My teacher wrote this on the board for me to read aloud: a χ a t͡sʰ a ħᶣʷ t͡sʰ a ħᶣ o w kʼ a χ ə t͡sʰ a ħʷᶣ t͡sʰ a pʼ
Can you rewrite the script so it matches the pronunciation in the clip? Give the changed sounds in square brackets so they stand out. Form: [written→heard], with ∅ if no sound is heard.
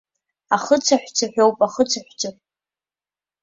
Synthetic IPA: a χ [a→ə] t͡sʰ a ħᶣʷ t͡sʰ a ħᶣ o w [kʼ→pʼ] a χ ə t͡sʰ a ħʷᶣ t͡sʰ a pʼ